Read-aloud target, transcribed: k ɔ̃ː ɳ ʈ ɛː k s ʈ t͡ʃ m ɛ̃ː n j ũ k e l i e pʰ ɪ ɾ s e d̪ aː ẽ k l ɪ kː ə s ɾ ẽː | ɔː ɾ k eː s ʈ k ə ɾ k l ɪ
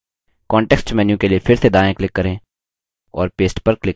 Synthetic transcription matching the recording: k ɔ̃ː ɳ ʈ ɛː k s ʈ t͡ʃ m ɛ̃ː n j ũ k e l i e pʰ ɪ ɾ s e d̪ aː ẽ k l ɪ kː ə ɾ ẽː | ɔː ɾ p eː s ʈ p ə ɾ k l ɪ